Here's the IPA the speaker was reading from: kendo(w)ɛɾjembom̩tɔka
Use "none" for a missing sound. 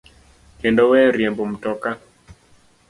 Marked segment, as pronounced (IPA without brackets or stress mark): w